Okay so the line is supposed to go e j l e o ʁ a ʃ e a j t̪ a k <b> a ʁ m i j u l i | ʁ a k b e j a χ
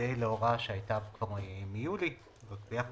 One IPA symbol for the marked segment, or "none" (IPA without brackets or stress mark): v